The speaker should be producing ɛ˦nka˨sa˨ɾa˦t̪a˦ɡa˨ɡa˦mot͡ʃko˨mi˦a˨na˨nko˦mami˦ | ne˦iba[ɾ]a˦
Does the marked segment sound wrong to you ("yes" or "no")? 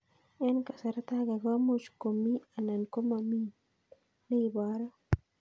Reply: no